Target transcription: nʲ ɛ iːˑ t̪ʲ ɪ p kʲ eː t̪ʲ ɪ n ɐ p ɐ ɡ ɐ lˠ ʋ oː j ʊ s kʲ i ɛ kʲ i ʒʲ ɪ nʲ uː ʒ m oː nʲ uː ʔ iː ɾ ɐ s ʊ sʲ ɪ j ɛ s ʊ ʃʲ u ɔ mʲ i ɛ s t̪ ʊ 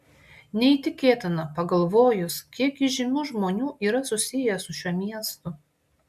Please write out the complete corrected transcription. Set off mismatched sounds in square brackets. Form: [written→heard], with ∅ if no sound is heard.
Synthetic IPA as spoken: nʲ ɛ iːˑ t̪ʲ ɪ [p→∅] kʲ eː t̪ʲ ɪ n ɐ p ɐ ɡ ɐ lˠ ʋ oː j ʊ s kʲ i ɛ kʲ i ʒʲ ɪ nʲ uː ʒ m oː nʲ uː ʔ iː ɾ ɐ s ʊ sʲ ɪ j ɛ s ʊ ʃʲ u ɔ mʲ i ɛ s t̪ ʊ